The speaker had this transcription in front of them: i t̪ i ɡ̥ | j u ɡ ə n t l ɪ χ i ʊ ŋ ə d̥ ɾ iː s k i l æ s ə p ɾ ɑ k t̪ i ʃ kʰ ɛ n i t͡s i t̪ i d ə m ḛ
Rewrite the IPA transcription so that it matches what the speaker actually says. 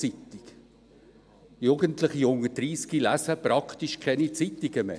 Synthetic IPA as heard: i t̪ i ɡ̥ | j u ɡ ə n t l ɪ χ i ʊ ŋ ə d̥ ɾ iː s k i l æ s ə p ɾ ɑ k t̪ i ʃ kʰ ɛ n i t͡s i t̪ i ɡ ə m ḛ

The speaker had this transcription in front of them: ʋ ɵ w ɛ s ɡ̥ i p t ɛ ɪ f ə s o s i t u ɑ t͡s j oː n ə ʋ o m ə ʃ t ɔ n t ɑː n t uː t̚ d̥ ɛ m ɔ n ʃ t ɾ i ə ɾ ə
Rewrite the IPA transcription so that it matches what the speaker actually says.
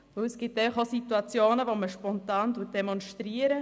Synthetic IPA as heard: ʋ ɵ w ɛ s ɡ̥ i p t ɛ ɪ f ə χ o s i t u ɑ t͡s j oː n ə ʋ o m ə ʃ p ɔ n t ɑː n t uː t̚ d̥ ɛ m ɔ n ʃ t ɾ i ə ɾ ə

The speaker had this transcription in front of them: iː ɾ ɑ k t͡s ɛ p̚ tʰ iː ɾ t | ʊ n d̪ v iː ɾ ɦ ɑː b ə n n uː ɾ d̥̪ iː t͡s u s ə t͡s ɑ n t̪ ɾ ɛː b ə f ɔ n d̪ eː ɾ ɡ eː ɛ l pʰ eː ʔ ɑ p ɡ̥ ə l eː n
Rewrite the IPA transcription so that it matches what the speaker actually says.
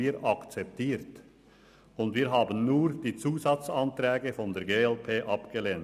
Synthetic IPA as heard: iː ɾ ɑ k t͡s ɛ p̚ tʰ iː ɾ t | ʊ n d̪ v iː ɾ ɦ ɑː b ə n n uː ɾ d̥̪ iː t͡s uː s ɑ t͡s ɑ n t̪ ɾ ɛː ɡ ə f ɔ n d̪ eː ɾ ɡ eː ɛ l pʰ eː ʔ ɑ p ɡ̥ ə l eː n

